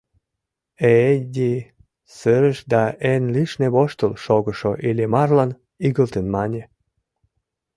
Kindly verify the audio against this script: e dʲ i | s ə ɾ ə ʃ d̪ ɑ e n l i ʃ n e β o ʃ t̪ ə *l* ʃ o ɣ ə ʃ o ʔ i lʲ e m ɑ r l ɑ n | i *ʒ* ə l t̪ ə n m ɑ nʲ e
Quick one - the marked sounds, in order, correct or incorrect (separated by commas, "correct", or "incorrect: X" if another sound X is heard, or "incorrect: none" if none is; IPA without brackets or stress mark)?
correct, incorrect: ɣ